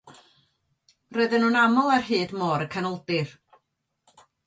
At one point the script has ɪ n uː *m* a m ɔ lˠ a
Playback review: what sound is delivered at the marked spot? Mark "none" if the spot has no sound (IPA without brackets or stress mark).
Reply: n